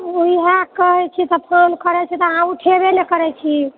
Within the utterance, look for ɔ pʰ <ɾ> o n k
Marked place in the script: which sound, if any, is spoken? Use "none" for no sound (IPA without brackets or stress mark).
ɾ